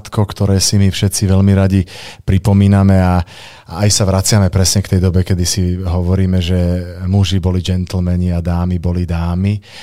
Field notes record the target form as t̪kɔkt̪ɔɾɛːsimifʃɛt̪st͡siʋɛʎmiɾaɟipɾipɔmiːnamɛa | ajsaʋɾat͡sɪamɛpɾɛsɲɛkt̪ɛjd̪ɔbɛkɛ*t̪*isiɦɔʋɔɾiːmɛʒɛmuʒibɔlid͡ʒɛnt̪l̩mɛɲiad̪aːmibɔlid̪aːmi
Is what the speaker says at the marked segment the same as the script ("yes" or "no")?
no